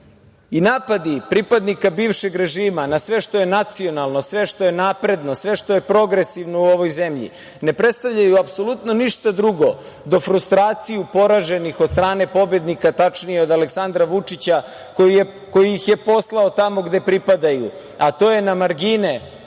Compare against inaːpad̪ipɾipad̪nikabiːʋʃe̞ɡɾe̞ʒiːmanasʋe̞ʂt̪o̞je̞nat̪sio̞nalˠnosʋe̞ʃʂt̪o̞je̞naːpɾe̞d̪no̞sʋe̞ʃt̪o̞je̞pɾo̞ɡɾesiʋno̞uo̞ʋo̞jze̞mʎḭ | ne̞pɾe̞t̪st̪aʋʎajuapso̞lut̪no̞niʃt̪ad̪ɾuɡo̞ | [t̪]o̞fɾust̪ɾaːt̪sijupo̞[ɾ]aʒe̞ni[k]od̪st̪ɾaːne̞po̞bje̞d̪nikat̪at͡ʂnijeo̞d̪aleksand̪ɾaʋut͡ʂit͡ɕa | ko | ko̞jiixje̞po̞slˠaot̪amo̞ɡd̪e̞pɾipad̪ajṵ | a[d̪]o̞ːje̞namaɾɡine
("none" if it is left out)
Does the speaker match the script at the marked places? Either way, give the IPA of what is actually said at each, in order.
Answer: d̪, ɾ, x, t̪

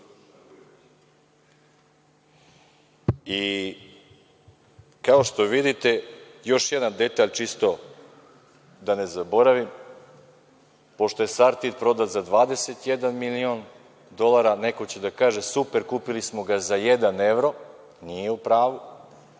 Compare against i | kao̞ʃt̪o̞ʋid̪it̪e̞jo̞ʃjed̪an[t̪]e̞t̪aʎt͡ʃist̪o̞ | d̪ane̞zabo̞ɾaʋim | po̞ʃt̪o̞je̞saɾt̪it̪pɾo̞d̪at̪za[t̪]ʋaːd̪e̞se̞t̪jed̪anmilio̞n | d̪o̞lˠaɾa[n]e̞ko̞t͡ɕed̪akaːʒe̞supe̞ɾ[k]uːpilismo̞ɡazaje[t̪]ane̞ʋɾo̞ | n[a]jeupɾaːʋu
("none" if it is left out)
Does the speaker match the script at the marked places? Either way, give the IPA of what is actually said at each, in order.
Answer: d̪, d̪, n, k, d̪, i

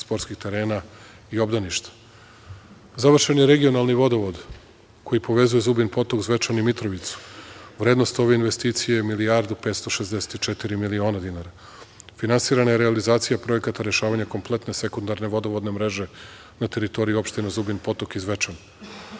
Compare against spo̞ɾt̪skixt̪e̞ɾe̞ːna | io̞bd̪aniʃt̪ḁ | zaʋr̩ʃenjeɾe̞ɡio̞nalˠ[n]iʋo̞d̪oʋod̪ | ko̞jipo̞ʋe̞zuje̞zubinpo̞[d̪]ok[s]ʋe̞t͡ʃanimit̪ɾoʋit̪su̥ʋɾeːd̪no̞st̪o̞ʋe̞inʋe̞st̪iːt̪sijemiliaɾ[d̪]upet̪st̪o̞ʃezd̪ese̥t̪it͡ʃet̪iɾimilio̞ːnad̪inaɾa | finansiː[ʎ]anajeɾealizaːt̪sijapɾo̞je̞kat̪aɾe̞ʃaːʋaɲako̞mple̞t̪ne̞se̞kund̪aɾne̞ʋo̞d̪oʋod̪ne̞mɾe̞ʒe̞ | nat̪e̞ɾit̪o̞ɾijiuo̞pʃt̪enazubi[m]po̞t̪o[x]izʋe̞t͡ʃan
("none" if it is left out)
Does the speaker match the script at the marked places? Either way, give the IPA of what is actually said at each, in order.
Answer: n, t̪, z, d̪, ɾ, n, k

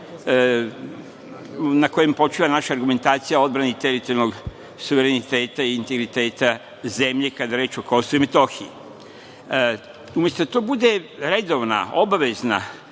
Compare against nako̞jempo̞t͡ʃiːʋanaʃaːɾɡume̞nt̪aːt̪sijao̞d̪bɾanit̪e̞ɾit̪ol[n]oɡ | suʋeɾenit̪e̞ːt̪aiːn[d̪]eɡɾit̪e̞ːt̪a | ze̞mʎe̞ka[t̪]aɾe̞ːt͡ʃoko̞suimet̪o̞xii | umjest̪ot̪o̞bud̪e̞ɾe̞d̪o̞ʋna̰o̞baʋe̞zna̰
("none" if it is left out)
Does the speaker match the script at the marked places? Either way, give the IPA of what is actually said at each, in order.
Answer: n, t̪, d̪

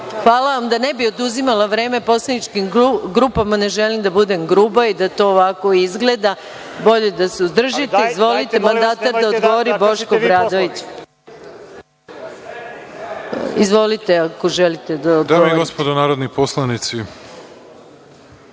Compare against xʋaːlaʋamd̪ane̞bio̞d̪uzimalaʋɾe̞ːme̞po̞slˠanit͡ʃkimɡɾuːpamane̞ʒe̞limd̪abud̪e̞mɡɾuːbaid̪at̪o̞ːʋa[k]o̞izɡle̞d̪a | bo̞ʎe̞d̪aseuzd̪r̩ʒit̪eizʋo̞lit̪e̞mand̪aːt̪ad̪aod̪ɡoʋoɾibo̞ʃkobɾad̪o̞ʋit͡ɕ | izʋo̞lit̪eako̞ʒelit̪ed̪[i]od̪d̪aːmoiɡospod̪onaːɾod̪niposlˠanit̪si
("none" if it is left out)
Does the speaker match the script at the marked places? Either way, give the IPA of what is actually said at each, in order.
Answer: k, a

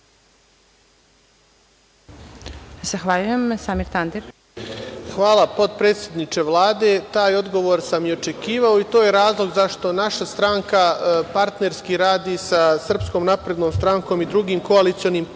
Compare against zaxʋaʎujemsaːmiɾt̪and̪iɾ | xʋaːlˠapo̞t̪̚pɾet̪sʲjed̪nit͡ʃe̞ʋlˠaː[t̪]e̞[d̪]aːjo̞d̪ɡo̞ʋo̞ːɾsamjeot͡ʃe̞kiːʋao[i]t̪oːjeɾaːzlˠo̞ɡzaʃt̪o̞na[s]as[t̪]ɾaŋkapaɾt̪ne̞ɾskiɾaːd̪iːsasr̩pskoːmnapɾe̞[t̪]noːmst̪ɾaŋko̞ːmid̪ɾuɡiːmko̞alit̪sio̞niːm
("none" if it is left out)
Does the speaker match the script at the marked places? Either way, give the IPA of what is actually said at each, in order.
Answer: d̪, t̪, i, ʃ, t̪, d̪

